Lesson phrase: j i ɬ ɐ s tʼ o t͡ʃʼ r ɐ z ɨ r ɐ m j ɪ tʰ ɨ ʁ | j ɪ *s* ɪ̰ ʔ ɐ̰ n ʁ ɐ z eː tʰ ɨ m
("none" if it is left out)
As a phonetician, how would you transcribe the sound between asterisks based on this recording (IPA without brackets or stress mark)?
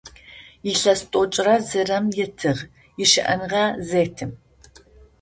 ʃ